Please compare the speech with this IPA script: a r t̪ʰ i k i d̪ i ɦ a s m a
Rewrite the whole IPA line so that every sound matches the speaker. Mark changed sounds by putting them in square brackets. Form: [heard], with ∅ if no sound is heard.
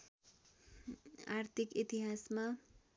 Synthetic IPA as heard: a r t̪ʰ i k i [t̪] i ɦ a s m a